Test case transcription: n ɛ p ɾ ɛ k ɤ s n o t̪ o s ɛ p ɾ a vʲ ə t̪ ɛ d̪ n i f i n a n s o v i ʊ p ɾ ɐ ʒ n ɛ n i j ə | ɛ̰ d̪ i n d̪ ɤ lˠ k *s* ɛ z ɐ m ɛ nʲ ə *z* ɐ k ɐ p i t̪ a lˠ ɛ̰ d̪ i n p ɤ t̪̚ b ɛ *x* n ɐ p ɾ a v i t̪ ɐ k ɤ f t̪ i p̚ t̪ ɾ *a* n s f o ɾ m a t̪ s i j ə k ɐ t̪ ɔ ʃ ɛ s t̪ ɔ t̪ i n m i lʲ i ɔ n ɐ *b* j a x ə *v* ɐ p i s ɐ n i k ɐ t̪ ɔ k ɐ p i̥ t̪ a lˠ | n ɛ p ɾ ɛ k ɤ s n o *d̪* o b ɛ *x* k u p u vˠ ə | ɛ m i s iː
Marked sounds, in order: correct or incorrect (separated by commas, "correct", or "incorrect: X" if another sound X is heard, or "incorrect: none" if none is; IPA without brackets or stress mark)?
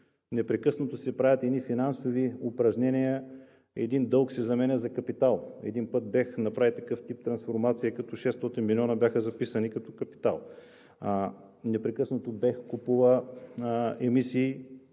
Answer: correct, correct, correct, incorrect: ɐ, correct, incorrect: z, incorrect: t̪, correct